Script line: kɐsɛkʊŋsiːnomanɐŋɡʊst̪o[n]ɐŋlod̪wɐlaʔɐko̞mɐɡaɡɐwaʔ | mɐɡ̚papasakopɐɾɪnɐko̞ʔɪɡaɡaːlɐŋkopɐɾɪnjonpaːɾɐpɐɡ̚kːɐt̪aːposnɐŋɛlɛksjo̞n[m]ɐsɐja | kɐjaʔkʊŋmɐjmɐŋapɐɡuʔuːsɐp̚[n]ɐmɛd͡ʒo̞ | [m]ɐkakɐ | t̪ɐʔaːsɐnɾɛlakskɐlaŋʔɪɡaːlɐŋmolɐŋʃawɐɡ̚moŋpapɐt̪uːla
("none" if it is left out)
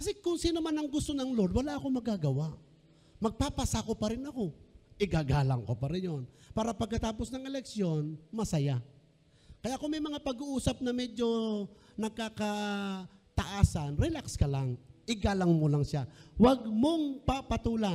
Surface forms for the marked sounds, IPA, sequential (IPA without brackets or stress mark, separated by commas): n, m, n, n